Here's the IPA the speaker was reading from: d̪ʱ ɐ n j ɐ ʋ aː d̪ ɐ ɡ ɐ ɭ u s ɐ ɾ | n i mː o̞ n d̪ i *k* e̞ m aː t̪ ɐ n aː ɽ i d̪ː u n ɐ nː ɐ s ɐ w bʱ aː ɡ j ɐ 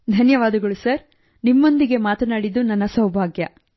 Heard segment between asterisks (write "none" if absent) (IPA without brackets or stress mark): ɡ